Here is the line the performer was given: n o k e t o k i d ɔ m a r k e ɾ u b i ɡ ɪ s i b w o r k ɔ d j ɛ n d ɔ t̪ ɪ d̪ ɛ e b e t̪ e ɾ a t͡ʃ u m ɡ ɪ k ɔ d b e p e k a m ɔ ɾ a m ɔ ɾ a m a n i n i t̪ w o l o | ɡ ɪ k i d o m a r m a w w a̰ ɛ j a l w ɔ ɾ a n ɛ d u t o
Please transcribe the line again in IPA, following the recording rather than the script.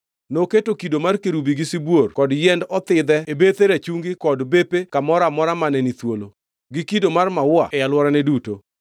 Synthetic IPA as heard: n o k e t o k i d o m a r k e ɾ u b i ɡ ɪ s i b w o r k ɔ d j ɛ n d ɔ t̪ ɪ d̪ ɛ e b e t̪ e ɾ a t͡ʃ u ŋ ɡ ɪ k ɔ d b e p e k a m ɔ ɾ a m ɔ ɾ a m a n ɛ n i t̪ w o l o | ɡ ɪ k i d o m a r m a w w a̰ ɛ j a l w ɔ ɾ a n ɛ d u t o